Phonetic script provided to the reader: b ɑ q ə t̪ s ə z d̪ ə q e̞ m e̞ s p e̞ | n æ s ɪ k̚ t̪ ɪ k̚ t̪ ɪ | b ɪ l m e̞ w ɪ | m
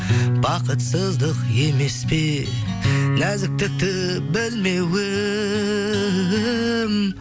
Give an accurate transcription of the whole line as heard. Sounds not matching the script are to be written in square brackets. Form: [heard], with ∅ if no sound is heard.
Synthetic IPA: b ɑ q ə t̪ s ə z d̪ ə q e̞ m e̞ s p e̞ | n æ [z] ɪ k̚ t̪ ɪ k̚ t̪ ɪ | b ɪ l m e̞ w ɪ | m